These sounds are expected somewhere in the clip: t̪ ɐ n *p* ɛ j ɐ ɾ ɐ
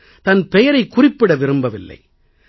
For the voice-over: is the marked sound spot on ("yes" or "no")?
yes